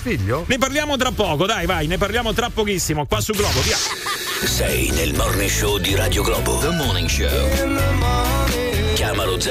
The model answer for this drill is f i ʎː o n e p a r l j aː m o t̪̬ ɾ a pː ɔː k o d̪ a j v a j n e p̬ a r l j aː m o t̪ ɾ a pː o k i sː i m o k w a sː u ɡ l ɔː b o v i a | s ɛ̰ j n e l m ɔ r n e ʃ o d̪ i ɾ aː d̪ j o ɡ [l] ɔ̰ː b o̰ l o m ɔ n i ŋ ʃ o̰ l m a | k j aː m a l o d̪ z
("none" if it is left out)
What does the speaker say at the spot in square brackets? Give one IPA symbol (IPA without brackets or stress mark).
l